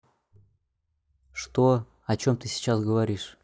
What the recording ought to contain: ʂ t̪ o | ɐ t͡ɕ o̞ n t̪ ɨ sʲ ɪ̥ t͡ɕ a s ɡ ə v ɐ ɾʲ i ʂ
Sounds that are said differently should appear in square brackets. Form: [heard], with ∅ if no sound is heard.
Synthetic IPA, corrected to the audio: ʂ t̪ o | ɐ t͡ɕ o̞ [m] t̪ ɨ sʲ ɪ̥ t͡ɕ a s ɡ ə v ɐ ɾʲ i ʂ